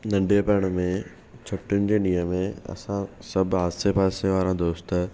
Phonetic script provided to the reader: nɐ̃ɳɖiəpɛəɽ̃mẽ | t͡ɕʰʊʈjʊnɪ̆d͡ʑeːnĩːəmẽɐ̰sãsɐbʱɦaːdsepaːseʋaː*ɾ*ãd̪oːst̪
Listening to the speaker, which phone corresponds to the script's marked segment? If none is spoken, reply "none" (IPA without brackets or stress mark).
ɾ